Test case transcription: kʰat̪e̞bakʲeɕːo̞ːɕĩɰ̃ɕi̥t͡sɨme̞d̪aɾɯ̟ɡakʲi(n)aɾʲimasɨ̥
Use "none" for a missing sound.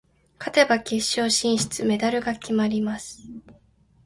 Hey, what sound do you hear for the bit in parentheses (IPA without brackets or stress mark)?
m